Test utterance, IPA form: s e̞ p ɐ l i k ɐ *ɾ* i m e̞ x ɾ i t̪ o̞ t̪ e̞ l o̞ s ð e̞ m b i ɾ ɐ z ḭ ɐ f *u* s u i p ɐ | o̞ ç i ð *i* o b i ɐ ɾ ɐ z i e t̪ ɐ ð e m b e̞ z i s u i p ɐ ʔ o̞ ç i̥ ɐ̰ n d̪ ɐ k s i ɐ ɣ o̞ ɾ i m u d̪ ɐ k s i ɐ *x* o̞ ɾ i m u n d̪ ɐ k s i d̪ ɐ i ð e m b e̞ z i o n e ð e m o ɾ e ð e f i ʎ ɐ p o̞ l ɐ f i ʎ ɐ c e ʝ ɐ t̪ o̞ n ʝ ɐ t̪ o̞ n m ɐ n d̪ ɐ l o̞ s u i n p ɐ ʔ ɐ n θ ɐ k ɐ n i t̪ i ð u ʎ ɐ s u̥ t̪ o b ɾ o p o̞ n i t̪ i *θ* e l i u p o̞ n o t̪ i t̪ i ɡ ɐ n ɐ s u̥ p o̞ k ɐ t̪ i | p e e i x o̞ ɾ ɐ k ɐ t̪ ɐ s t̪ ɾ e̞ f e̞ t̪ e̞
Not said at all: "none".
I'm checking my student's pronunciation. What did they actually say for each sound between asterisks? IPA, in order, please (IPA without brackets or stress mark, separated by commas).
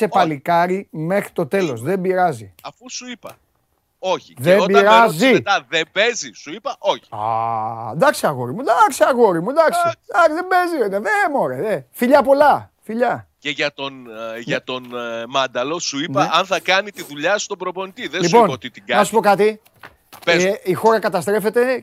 ɾ, u, e, ɣ, ð